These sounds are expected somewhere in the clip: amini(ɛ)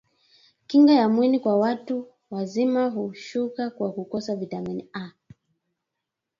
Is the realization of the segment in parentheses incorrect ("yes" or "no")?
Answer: yes